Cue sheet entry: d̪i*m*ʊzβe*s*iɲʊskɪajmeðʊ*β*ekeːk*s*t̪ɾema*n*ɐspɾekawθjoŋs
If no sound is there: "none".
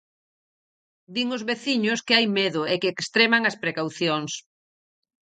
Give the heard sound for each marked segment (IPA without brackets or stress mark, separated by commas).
ŋ, θ, none, s, ŋ